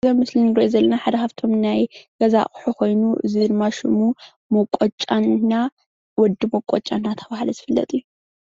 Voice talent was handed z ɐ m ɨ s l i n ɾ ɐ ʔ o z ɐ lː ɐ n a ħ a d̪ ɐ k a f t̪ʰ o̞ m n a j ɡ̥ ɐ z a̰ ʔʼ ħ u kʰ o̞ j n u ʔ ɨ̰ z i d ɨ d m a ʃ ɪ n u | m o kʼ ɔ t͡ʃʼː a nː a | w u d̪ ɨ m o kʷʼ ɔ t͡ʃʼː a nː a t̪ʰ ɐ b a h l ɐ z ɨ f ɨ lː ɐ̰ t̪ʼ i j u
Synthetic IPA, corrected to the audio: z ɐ m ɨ s l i n ɾ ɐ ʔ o z ɐ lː ɐ n a ħ a d̪ ɐ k a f t̪ʰ o̞ m n a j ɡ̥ ɐ z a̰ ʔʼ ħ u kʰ o̞ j n u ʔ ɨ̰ z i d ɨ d m a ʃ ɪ m u | m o kʼ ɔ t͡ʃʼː a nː a | w ɔ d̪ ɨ m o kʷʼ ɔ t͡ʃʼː a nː a t̪ʰ ɐ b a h l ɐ z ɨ f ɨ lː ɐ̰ t̪ʼ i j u